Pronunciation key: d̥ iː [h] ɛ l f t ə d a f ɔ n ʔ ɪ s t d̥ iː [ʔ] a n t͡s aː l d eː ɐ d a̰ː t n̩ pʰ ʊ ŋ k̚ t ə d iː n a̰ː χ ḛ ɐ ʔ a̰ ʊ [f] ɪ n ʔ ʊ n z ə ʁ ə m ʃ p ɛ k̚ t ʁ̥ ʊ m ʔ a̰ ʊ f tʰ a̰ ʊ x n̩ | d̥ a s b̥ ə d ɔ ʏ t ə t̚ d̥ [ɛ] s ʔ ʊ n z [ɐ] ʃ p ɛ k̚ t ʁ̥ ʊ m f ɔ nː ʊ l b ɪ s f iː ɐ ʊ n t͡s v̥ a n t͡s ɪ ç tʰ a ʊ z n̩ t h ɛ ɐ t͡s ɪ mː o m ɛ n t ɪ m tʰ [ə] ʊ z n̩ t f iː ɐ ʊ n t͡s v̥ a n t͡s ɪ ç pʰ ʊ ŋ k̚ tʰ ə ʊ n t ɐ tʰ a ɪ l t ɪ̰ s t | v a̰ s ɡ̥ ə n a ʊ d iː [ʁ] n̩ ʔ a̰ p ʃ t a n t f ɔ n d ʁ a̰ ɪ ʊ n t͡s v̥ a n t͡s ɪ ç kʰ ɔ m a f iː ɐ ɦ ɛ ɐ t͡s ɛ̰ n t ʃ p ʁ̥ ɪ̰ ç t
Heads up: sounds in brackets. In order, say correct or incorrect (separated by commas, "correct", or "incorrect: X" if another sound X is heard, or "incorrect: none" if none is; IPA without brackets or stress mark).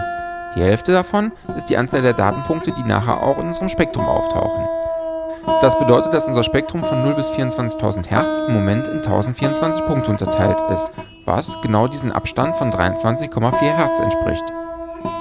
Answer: correct, correct, incorrect: x, incorrect: a, correct, incorrect: a, incorrect: z